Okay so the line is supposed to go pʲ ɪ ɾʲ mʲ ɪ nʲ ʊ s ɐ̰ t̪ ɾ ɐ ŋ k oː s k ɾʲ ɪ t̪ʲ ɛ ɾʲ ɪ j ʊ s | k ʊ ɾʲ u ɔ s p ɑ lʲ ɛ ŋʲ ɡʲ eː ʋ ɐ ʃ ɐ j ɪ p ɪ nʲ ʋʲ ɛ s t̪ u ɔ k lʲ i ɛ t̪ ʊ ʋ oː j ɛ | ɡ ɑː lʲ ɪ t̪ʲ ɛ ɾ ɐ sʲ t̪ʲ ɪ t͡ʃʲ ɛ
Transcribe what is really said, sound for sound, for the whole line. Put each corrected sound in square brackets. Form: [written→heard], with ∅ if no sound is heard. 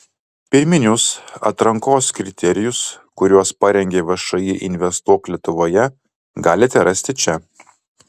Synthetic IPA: pʲ ɪ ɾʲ mʲ ɪ nʲ ʊ s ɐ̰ t̪ ɾ ɐ ŋ k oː s k ɾʲ ɪ t̪ʲ ɛ ɾʲ ɪ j ʊ s | k ʊ ɾʲ u ɔ s p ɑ [lʲ→ɾʲ] ɛ ŋʲ ɡʲ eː ʋ ɐ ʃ ɐ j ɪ [p→ʔ] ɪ nʲ ʋʲ ɛ s t̪ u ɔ k lʲ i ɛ t̪ ʊ ʋ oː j ɛ | ɡ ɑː lʲ ɪ t̪ʲ ɛ ɾ ɐ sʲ t̪ʲ ɪ t͡ʃʲ ɛ